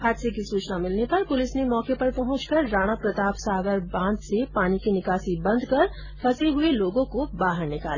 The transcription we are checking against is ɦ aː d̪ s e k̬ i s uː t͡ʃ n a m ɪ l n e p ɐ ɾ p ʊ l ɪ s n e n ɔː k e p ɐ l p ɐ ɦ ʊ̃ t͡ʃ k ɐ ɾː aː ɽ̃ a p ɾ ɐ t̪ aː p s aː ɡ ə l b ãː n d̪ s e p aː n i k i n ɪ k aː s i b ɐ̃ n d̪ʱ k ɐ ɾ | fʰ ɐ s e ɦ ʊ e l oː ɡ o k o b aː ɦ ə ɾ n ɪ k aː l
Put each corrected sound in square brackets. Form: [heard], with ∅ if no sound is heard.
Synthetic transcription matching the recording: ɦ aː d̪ s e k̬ i s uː t͡ʃ n a m ɪ l n e p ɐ ɾ p ʊ l ɪ s n e [m] ɔː k e p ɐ [ɾ] p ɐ ɦ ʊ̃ t͡ʃ k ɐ ɾː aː ɽ̃ a p ɾ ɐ t̪ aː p s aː ɡ ə [ɾ] b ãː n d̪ s e p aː n i k i n ɪ k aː s i b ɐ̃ n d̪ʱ k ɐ ɾ | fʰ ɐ s e ɦ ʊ e l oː ɡ [õ] k o b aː ɦ ə ɾ n ɪ k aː l